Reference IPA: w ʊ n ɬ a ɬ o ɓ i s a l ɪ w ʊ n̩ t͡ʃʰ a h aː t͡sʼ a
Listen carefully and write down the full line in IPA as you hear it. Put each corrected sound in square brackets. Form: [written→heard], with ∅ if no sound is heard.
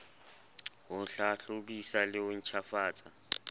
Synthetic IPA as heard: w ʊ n ɬ a ɬ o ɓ i s a l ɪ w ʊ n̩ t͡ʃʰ a [h→f] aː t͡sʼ a